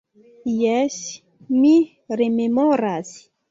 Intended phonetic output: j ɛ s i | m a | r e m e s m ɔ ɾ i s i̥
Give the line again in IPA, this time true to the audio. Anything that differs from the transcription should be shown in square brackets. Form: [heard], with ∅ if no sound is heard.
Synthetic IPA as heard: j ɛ s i | m [i] | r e m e [∅] m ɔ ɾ [a] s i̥